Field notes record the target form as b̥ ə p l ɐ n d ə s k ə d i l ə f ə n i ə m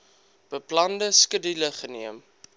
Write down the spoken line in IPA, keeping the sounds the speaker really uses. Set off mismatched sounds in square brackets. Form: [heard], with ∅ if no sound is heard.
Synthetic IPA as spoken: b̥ ə p l ɐ n d ə s k ə d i l ə [χ] ə n i ə m